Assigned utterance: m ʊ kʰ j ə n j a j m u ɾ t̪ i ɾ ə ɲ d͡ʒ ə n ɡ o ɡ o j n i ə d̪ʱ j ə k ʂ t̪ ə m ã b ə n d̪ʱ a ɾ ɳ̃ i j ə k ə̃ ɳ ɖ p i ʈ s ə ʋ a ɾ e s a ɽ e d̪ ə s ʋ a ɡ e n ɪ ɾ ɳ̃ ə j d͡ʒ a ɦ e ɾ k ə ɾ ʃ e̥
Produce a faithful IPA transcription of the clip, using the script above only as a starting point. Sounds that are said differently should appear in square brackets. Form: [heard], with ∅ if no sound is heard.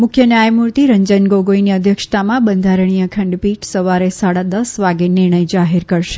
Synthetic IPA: m ʊ kʰ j ə n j a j m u ɾ t̪ i ɾ ə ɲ d͡ʒ ə n ɡ o ɡ o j n i ə d̪ʱ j ə k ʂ t̪ [a] m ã b ə n d̪ʱ a ɾ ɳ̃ i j ə [kʰ] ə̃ ɳ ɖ p i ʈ s ə ʋ a ɾ e s a ɽ [a] d̪ ə s ʋ a ɡ e n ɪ ɾ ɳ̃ ə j d͡ʒ a ɦ e ɾ k ə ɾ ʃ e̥